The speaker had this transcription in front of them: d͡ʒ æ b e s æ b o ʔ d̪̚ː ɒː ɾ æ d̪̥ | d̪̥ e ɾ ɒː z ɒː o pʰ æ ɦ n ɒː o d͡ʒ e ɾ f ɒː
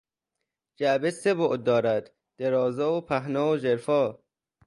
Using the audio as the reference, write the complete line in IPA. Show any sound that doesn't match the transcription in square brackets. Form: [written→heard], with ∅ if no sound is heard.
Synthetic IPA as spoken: d͡ʒ æ b e s [æ→e] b o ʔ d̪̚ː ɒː ɾ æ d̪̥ | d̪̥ e ɾ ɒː z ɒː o pʰ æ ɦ n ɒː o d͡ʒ e ɾ f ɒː

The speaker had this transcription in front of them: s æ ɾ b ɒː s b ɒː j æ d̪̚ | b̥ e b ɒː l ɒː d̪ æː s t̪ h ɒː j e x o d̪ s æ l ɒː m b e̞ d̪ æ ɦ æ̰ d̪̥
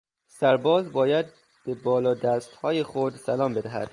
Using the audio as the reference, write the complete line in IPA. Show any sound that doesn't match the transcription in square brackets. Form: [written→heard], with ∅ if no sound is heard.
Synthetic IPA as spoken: s æ ɾ b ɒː [s→z] b ɒː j æ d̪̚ | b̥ e b ɒː l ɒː d̪ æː s t̪ h ɒː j e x o d̪ s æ l ɒː m b e̞ d̪ æ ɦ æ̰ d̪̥

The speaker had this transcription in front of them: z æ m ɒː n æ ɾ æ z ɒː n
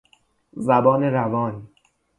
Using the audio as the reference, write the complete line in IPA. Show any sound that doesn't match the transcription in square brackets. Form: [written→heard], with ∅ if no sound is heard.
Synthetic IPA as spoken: z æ [m→b] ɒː n [æ→e] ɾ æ [z→v] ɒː n

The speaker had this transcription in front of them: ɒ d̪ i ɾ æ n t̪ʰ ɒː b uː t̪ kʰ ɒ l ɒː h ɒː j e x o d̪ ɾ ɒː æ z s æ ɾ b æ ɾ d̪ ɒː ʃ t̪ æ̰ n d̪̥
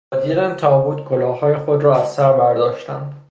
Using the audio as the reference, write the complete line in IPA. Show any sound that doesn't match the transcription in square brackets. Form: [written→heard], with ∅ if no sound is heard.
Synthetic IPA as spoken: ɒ d̪ i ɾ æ n t̪ʰ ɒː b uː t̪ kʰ [ɒ→o] l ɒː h ɒː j e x o d̪ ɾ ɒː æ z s æ ɾ b æ ɾ d̪ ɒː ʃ t̪ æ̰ n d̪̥

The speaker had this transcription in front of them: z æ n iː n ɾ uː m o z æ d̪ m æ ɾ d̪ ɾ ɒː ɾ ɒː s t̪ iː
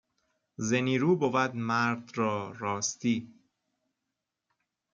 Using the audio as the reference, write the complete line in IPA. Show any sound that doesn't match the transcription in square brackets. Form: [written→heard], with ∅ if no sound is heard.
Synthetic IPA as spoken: z [æ→e] n iː [n→∅] ɾ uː [m→b] o [z→v] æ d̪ m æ ɾ d̪ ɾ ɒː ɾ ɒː s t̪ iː

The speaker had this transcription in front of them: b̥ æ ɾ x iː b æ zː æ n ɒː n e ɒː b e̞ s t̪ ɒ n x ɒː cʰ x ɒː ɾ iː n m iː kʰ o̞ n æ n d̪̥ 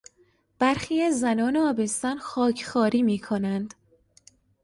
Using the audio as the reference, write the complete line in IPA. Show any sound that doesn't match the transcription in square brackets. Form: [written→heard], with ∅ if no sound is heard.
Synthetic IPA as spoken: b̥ æ ɾ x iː [b→∅] æ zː æ n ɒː n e ɒː b e̞ s t̪ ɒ n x ɒː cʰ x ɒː ɾ iː [n→∅] m iː kʰ o̞ n æ n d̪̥

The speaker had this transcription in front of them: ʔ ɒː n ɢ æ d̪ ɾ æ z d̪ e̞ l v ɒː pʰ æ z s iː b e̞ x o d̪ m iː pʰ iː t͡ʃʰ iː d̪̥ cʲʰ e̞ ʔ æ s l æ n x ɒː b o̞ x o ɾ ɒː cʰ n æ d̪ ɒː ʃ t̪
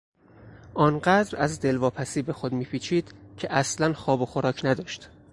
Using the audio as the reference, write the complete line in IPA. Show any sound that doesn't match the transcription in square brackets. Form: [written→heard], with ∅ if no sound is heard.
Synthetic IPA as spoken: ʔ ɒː n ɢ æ d̪ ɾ æ z d̪ e̞ l v ɒː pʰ æ [z→∅] s iː b e̞ x o d̪ m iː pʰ iː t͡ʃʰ iː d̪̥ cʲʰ e̞ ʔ æ s l æ n x ɒː b o̞ x o ɾ ɒː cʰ n æ d̪ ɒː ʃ t̪

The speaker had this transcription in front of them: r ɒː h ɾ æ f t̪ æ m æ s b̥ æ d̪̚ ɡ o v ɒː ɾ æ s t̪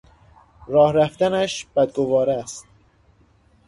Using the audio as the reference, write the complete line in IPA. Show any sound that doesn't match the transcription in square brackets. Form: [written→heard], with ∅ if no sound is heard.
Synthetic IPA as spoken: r ɒː h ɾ æ f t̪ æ [m→n] æ [s→ʃ] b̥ æ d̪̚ ɡ o v ɒː ɾ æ s t̪

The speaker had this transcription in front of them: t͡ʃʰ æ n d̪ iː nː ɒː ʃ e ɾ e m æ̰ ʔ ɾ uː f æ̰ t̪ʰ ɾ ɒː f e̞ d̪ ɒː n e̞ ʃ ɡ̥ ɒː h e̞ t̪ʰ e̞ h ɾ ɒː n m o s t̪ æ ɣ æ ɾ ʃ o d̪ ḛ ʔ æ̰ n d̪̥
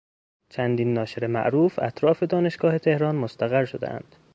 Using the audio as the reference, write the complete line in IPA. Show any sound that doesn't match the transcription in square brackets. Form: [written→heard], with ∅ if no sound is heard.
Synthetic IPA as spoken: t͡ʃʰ æ n d̪ iː nː ɒː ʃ e ɾ e m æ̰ ʔ ɾ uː f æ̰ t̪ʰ ɾ ɒː f e̞ d̪ ɒː n e̞ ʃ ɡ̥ ɒː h e̞ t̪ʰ e̞ h ɾ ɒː n m o s t̪ æ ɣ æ ɾ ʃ o d̪ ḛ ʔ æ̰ n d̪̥

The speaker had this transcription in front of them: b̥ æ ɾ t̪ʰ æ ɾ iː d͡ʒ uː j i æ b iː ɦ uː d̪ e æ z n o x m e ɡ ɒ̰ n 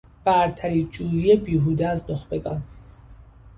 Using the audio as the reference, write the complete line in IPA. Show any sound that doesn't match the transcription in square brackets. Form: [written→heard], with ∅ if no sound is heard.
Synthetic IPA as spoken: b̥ æ ɾ t̪ʰ æ ɾ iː d͡ʒ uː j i [æ→e] b iː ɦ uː d̪ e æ z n o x [m→b] e ɡ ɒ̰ n

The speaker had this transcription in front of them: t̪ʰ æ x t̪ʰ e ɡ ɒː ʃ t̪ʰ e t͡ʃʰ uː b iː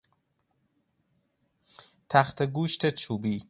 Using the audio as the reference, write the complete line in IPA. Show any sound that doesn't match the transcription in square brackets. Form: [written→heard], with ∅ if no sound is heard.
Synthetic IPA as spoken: t̪ʰ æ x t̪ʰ e ɡ [ɒː→uː] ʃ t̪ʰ e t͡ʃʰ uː b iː

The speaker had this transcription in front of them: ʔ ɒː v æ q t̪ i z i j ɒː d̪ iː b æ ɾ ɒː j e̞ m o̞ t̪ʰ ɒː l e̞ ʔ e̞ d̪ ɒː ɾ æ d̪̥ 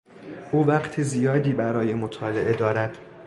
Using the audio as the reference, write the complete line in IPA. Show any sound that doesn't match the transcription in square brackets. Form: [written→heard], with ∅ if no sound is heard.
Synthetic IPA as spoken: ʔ [ɒː→uː] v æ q [t̪→t̪ʰ] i z i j ɒː d̪ iː b æ ɾ ɒː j e̞ m o̞ t̪ʰ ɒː l e̞ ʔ e̞ d̪ ɒː ɾ æ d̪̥

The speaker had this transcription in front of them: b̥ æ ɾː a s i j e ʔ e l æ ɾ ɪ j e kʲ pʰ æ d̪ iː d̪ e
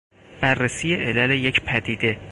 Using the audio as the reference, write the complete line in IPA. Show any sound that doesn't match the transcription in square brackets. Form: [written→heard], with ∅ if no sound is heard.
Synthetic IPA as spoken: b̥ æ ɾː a s i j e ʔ e l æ [ɾ→l] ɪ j e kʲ pʰ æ d̪ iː d̪ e

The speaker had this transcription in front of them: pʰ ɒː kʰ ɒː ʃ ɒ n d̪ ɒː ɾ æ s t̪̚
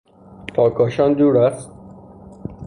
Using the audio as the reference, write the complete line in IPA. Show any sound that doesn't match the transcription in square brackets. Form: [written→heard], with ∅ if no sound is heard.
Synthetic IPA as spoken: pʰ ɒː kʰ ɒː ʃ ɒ n d̪ [ɒː→uː] ɾ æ s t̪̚

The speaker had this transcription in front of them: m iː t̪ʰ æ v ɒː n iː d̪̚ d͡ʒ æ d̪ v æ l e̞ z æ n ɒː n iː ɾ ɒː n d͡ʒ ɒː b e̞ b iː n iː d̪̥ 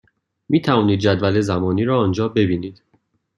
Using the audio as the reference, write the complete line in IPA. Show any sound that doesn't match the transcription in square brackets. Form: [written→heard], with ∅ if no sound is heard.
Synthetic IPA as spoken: m iː t̪ʰ æ v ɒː n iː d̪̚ d͡ʒ æ d̪ v æ l e̞ z æ [n→m] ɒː n iː ɾ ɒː n d͡ʒ ɒː b e̞ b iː n iː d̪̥

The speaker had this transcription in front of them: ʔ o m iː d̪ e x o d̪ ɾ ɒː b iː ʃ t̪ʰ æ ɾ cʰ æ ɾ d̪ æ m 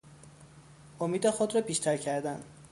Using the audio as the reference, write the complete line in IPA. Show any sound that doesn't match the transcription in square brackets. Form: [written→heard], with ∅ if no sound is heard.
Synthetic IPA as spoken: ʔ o m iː d̪ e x o d̪ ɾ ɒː b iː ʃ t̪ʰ æ ɾ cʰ æ ɾ d̪ æ [m→n]

